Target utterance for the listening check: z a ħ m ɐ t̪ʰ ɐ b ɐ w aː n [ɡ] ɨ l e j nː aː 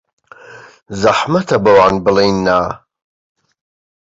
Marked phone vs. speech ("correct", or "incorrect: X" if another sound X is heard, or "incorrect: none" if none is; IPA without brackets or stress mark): incorrect: b